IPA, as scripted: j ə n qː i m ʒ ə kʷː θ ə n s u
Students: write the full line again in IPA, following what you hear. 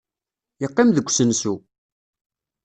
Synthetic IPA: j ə qː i m ð ə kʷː s ə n s u

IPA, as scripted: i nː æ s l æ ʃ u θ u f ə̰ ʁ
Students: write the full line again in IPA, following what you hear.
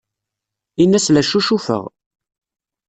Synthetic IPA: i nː æ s l æ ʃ u ʃ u f ə̰ ʁ

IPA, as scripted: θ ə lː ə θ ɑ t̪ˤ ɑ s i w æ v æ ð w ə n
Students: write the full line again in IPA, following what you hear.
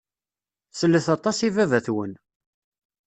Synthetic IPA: s ə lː ə θ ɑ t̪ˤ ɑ s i v æ v æ θ w ə n

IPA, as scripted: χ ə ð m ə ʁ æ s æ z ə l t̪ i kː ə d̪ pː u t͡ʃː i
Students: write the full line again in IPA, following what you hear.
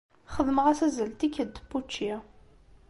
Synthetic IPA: χ ə ð m ə ʁ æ s æ z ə l t̪ i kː ə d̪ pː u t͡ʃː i

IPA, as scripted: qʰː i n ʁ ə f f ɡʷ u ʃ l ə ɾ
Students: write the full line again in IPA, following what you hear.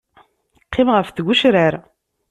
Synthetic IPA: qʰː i m ʁ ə f θ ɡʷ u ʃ ɾ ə ɾ

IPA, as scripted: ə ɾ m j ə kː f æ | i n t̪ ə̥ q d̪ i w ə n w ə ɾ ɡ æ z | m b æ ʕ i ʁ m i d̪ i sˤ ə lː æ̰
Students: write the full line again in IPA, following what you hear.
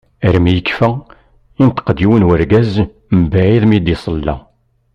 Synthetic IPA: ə ɾ m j ə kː f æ | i n t̪ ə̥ q d̪ i w ə n w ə ɾ ɡ æ z | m b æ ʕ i ð m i d̪ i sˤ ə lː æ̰

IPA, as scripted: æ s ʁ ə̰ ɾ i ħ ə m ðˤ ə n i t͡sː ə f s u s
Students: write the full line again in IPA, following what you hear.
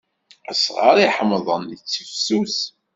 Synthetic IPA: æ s ʁ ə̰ ɾ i ħ ə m ðˤ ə n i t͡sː ə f s u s

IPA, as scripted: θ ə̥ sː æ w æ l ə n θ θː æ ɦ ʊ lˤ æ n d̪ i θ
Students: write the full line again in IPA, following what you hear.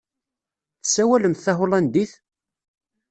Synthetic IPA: θ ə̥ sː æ w æ l ə m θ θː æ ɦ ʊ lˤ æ n d̪ i θ

